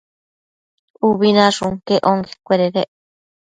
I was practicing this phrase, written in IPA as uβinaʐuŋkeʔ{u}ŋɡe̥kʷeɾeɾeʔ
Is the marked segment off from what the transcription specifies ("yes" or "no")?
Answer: yes